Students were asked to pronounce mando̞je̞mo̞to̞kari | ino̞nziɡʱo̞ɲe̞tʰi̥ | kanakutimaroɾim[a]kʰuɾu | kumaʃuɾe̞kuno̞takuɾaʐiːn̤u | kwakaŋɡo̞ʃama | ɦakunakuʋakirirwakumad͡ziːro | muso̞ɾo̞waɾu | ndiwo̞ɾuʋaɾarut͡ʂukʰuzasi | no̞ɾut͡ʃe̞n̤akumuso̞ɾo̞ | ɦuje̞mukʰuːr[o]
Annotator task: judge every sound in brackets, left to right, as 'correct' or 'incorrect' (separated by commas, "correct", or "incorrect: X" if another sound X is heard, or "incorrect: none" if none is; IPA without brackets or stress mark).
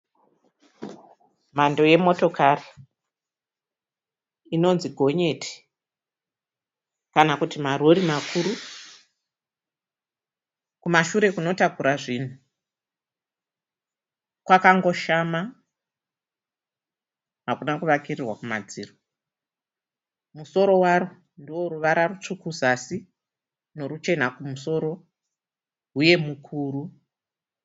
correct, incorrect: u